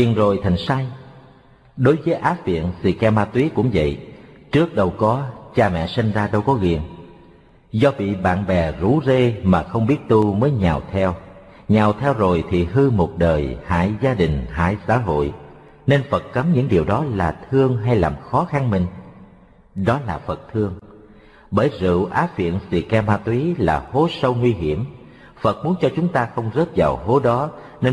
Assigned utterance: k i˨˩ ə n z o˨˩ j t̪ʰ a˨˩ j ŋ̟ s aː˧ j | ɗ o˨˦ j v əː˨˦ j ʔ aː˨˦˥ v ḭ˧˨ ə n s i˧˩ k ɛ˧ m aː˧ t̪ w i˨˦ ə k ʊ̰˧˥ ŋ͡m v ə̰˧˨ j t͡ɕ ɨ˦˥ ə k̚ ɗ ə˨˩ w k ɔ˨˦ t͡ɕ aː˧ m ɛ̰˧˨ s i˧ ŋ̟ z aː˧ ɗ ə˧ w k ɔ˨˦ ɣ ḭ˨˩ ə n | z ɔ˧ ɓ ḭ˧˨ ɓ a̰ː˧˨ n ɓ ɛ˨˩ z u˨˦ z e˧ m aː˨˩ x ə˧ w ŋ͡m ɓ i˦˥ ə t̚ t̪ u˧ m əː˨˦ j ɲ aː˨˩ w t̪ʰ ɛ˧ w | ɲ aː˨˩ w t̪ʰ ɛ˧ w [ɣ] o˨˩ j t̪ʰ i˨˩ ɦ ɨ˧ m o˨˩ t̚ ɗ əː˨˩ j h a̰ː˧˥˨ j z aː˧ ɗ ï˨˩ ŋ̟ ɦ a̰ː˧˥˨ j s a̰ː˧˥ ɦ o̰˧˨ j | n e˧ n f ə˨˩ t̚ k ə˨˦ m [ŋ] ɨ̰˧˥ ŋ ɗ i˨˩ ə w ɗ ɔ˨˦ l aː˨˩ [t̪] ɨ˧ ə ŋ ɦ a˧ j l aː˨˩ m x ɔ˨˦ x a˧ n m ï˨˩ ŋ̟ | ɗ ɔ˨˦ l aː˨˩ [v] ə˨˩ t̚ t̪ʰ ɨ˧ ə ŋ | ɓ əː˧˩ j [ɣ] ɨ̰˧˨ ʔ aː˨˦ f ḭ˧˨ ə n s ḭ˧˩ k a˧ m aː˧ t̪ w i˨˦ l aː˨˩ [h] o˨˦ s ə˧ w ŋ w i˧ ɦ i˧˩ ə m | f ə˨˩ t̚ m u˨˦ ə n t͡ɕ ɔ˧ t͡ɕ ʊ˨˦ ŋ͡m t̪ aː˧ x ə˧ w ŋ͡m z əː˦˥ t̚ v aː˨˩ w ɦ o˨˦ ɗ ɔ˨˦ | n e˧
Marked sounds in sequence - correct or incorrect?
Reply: incorrect: z, incorrect: ɲ, incorrect: t̪ʰ, incorrect: f, incorrect: z, correct

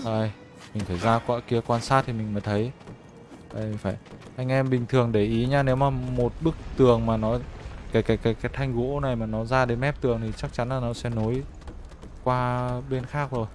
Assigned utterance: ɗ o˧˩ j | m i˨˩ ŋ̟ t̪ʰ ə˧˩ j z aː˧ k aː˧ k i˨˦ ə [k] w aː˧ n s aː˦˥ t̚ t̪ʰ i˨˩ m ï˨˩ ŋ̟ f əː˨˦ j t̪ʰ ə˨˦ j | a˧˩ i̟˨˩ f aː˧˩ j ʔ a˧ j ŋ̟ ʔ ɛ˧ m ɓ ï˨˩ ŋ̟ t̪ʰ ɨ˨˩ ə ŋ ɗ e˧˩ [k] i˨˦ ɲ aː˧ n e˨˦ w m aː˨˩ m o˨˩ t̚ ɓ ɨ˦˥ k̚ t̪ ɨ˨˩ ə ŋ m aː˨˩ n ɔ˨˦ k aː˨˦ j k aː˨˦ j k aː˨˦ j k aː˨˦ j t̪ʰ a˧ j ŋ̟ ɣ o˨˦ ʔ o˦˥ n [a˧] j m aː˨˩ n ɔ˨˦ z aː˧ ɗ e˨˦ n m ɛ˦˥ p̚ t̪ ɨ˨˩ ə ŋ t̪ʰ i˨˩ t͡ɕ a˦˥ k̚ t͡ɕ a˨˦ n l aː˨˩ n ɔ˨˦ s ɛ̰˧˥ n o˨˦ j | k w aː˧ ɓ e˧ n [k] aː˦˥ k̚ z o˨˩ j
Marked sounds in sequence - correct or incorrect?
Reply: correct, incorrect: ʔ, incorrect: a˨˩, incorrect: x

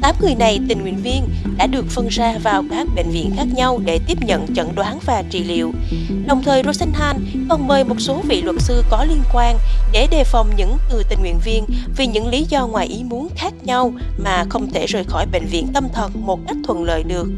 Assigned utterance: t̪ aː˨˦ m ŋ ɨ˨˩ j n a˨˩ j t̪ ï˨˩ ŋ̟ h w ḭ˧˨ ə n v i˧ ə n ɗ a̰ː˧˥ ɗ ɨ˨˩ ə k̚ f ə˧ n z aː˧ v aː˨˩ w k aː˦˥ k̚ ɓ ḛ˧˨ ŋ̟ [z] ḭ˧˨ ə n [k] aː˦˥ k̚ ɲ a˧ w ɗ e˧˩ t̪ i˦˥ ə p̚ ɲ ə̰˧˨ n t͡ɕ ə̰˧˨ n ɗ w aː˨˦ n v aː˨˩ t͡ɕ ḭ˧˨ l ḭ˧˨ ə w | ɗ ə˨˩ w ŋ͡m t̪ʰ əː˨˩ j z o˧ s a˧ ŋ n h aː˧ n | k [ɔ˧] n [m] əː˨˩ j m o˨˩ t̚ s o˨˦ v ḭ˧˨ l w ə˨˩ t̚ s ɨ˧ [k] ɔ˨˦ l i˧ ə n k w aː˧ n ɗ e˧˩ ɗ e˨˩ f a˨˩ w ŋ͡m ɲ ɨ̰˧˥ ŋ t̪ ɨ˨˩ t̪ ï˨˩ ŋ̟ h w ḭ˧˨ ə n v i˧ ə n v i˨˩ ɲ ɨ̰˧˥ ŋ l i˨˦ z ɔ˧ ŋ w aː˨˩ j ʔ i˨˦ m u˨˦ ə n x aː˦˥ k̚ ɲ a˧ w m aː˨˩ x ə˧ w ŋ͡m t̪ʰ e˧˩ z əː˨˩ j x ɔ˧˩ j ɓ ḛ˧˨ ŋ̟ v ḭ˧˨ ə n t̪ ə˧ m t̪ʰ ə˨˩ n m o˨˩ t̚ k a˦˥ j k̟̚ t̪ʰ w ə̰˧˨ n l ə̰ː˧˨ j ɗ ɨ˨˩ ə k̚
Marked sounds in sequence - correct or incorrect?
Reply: incorrect: v, incorrect: x, incorrect: ɔ˨˩, correct, correct

